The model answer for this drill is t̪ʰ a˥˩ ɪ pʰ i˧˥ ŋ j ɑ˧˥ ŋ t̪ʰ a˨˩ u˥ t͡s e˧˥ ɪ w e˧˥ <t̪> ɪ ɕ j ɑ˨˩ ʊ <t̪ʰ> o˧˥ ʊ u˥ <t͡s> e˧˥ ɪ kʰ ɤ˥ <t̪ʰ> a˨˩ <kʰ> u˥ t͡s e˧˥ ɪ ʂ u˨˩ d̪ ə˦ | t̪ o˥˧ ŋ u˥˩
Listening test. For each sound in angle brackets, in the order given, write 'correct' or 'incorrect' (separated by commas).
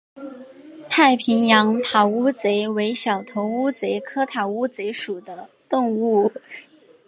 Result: incorrect, correct, correct, correct, incorrect